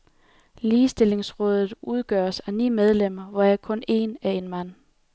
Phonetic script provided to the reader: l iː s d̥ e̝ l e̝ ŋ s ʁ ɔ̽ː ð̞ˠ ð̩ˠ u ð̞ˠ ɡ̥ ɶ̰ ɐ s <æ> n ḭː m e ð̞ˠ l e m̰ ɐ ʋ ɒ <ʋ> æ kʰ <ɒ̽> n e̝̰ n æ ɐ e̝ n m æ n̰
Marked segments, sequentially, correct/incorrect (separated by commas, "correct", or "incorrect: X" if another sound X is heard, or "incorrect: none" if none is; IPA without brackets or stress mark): correct, incorrect: none, incorrect: ɔ̽